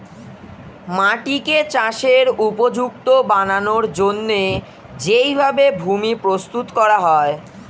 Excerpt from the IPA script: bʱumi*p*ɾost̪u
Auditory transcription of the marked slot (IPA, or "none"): p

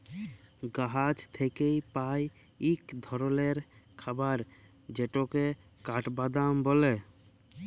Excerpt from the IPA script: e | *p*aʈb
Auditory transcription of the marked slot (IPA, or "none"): k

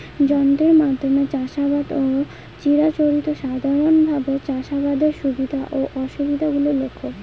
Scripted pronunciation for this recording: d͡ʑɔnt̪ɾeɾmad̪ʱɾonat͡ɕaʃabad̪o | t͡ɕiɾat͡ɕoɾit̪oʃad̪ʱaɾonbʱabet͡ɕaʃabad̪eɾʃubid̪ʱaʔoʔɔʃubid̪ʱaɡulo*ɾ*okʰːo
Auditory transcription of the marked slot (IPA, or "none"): l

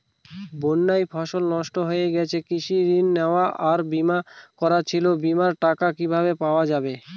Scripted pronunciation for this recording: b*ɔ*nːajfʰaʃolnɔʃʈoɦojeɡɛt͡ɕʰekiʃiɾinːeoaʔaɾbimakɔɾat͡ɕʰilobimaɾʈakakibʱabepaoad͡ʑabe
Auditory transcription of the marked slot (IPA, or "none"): o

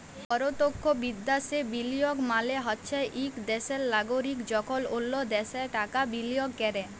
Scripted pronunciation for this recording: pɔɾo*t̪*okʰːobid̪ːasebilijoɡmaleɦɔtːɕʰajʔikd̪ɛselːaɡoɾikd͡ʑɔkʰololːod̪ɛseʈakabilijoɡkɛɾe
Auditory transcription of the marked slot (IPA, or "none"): t̪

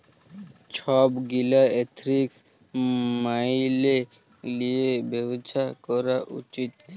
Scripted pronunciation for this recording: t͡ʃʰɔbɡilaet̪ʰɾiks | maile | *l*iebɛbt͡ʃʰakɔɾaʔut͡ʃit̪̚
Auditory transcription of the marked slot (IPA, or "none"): l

